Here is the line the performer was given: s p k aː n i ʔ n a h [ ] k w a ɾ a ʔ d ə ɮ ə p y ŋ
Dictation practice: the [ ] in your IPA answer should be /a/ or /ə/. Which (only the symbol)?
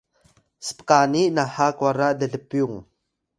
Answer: a